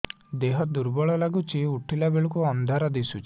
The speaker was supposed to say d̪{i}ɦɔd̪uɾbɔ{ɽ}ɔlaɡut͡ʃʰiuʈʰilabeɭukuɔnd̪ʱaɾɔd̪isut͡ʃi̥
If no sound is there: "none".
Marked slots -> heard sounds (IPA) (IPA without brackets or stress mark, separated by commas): e, ɭ